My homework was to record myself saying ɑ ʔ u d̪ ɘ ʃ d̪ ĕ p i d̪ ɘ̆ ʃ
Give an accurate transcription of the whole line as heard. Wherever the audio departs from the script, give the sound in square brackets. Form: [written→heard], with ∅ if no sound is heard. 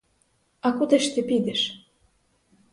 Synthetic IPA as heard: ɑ [ʔ→k] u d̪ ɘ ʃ [d̪→t̪] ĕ p i d̪ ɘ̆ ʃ